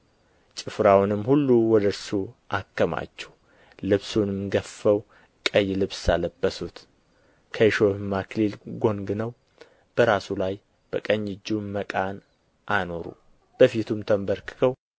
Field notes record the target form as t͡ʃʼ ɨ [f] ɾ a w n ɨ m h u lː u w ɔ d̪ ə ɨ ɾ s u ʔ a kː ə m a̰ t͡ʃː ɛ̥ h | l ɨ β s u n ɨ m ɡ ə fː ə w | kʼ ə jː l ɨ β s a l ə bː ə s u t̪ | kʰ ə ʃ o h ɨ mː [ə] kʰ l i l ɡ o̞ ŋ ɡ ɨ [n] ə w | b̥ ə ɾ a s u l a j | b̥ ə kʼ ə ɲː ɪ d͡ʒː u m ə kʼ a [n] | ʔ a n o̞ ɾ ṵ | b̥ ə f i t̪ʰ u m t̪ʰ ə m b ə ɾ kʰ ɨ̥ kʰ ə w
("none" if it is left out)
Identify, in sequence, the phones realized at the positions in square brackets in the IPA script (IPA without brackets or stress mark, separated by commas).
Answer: f, a, n, n